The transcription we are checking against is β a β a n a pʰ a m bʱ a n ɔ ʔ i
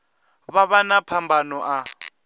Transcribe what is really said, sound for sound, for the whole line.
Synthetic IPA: β a β a n a pʰ a m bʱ a n ɔ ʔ a